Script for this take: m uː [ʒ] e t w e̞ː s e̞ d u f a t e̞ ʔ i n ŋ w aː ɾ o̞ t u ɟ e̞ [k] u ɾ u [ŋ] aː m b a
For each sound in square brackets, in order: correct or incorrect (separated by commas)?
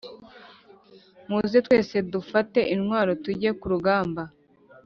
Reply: incorrect, correct, incorrect